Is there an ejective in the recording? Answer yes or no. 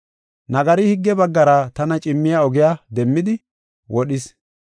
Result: yes